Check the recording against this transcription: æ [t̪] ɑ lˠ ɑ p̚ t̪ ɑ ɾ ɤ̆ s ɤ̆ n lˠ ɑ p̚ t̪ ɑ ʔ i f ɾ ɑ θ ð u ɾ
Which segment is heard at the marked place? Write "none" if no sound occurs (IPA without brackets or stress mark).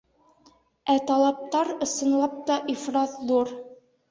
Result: t̪